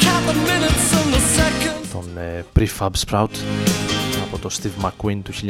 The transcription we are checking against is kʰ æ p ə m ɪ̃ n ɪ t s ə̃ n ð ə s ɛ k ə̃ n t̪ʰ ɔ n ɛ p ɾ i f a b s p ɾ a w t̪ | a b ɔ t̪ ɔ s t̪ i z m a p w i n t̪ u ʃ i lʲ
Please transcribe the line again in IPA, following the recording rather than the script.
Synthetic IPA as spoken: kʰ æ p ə m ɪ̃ n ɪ t s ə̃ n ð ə s ɛ k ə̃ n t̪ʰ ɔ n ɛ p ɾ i f a b s p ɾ a w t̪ | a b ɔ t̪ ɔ s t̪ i v m a k w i n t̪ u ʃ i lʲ